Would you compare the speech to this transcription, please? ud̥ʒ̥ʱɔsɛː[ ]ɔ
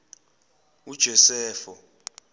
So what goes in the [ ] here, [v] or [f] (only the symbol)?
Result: f